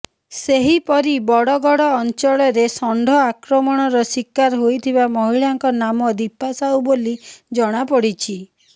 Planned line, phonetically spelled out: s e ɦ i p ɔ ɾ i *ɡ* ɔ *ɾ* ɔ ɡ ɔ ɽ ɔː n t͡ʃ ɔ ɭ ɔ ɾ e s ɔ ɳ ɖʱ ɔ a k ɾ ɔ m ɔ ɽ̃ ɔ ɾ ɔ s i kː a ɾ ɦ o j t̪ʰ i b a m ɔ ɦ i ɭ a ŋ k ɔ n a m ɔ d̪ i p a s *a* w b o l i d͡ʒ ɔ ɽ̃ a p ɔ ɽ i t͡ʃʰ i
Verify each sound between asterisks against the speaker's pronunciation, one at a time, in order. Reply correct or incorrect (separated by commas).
incorrect, incorrect, correct